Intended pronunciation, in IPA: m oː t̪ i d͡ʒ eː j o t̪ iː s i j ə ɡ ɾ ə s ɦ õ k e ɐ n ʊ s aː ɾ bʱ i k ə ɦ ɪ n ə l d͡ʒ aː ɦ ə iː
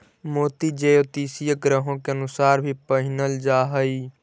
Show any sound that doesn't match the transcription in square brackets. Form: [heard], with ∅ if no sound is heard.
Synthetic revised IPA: m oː t̪ i d͡ʒ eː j o t̪ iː s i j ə ɡ ɾ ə [∅] ɦ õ k e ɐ n ʊ s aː ɾ bʱ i [p] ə ɦ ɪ n ə l d͡ʒ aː ɦ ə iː